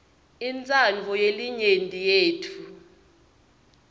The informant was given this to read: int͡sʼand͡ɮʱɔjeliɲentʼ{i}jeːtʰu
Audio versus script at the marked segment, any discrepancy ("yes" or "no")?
no